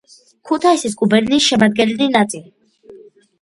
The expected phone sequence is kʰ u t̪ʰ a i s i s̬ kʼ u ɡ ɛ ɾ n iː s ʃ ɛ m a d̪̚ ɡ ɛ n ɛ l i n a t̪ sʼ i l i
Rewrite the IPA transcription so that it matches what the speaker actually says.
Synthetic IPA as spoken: kʰ u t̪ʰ a i s i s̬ kʼ u b ɛ ɾ n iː s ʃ ɛ m a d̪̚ ɡ ɛ n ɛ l i n a t̪ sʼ i l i